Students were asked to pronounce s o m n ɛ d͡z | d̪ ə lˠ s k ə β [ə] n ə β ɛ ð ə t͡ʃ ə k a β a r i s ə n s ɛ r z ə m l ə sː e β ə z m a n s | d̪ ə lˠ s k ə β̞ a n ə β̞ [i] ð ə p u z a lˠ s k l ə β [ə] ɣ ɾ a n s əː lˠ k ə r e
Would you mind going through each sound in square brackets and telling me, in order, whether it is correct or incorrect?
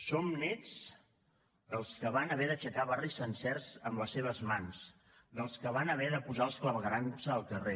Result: incorrect, incorrect, correct

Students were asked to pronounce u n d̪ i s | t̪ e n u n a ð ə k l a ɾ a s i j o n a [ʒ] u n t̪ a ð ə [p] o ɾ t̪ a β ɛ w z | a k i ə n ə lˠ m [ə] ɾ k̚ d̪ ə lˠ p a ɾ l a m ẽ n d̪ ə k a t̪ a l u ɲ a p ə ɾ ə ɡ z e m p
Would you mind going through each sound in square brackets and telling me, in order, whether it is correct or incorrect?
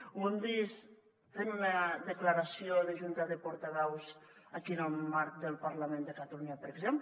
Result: correct, correct, incorrect

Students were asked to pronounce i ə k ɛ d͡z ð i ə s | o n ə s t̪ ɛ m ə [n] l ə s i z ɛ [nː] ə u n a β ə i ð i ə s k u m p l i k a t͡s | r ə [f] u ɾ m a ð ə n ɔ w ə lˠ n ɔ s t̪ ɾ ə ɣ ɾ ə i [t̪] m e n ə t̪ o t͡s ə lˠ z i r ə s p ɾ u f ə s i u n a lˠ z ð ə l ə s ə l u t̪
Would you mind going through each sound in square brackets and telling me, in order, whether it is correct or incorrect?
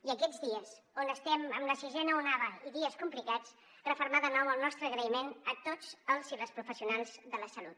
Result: incorrect, incorrect, correct, incorrect

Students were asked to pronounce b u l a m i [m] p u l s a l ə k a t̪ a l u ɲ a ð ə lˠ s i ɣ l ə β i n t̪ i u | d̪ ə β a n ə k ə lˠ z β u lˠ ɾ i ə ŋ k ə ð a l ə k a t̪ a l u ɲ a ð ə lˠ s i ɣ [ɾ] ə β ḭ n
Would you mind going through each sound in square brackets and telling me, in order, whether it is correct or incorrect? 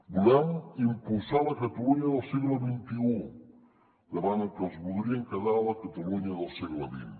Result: correct, incorrect

